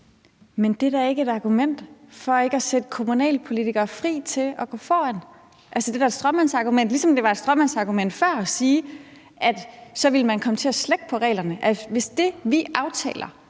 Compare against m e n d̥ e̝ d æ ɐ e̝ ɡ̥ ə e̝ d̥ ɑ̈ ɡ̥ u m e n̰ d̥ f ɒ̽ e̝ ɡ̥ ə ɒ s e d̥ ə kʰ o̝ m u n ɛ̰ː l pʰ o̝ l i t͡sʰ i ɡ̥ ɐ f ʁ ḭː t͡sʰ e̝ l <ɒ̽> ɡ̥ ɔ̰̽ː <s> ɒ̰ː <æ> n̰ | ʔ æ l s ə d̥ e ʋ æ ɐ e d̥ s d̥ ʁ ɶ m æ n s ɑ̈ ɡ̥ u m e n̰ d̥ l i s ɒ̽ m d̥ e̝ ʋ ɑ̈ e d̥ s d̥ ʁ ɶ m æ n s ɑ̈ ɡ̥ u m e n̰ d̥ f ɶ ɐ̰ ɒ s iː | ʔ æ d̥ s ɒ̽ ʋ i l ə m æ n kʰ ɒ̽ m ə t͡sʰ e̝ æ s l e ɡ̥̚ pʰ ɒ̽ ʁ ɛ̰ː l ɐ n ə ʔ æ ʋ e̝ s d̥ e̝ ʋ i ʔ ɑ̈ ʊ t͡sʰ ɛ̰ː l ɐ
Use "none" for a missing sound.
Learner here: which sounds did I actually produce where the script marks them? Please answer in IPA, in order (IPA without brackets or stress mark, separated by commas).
ɒ̽, f, æ